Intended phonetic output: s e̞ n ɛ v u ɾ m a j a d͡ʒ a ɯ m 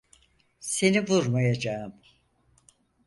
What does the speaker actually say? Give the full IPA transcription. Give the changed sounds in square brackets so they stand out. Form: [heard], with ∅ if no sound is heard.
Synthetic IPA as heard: s e̞ n [i] v u ɾ m a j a d͡ʒ a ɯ m